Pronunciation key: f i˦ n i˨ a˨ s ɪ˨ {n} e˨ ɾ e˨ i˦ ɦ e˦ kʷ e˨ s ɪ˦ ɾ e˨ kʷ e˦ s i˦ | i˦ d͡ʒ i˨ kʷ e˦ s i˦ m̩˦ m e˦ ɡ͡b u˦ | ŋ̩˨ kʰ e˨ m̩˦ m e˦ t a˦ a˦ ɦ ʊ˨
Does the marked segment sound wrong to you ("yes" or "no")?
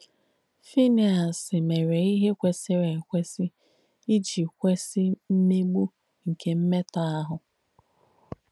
yes